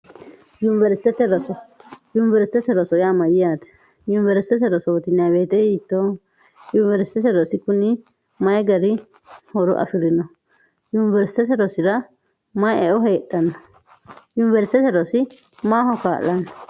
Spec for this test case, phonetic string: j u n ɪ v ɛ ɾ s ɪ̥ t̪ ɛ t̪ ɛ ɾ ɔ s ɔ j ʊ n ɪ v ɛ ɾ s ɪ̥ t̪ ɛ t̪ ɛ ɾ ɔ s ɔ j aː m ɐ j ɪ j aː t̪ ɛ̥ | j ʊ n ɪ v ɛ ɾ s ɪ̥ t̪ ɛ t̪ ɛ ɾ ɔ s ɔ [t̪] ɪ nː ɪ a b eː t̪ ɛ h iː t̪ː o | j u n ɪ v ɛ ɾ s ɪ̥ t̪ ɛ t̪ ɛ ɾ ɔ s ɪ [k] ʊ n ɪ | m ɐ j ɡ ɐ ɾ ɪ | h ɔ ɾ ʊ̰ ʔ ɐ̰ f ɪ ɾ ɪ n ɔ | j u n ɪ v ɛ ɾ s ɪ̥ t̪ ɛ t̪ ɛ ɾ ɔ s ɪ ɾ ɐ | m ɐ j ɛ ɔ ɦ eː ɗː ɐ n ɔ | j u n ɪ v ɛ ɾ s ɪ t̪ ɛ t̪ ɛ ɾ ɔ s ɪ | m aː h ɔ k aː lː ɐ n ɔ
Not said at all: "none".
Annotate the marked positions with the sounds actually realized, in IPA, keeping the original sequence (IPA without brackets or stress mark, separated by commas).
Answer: t̪, k